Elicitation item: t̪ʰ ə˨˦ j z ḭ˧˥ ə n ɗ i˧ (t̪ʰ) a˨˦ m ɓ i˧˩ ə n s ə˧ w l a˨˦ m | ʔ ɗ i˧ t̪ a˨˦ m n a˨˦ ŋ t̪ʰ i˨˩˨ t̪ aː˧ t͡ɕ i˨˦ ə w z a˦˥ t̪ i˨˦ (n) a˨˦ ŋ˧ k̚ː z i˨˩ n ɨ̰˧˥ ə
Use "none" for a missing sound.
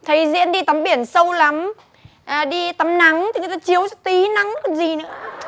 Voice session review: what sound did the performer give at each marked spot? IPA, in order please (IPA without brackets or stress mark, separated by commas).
t̪, n